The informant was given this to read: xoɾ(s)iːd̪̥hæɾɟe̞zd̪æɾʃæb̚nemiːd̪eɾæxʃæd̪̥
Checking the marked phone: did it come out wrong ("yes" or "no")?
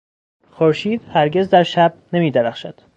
yes